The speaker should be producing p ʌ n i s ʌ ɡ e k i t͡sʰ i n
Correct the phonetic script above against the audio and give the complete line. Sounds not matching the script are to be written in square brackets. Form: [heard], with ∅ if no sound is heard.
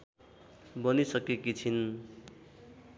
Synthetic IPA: [b] ʌ n i s ʌ [k] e k i t͡sʰ i n